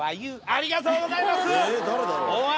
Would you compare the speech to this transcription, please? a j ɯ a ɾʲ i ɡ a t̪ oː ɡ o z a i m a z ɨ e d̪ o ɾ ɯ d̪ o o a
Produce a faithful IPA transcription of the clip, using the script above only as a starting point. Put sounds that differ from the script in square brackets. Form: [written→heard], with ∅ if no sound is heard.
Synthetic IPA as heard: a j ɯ a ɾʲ i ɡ a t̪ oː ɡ o z a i m a [z→s] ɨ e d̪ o ɾ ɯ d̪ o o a